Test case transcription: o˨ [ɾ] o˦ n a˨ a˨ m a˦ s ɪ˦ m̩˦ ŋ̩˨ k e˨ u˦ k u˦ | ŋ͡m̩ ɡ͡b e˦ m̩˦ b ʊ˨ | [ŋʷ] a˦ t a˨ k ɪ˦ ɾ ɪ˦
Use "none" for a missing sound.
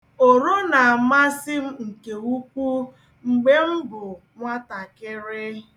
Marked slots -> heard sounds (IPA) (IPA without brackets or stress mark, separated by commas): ɾ, ŋʷ